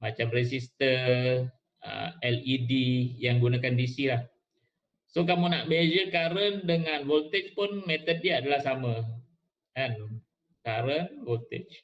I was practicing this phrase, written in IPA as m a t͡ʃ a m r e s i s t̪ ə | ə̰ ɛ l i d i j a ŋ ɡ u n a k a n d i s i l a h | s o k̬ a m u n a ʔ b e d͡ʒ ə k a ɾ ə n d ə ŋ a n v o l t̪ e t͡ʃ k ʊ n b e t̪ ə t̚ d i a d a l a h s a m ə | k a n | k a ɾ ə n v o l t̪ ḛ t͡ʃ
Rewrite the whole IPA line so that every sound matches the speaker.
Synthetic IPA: m a t͡ʃ a m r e s i s t̪ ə | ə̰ ɛ l i d i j a ŋ ɡ u n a k a n d i s i l a h | s o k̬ a m u n a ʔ b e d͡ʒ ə k a ɾ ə n d ə ŋ a n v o l t̪ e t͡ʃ p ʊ n m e t̪ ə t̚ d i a d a l a h s a m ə | k a n | k a ɾ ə n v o l t̪ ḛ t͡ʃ